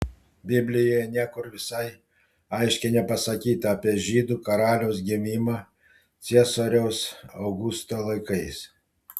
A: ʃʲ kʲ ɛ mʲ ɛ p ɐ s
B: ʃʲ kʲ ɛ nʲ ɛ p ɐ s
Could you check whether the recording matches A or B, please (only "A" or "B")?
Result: B